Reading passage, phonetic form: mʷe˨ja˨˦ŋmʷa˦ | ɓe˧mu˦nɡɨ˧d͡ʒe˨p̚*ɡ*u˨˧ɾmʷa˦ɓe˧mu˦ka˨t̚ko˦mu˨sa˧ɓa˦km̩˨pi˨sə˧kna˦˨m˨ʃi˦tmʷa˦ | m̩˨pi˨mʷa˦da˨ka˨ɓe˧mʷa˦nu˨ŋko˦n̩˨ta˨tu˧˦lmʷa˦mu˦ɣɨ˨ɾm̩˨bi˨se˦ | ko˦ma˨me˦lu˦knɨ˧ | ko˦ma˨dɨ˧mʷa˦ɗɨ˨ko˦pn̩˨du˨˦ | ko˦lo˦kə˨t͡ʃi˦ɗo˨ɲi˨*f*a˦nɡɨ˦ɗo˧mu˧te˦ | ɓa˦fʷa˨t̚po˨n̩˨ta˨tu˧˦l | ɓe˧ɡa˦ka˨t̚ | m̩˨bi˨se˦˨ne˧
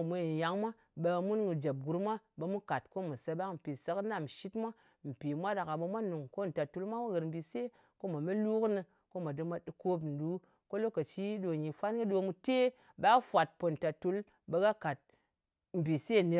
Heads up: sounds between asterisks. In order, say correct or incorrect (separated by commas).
correct, correct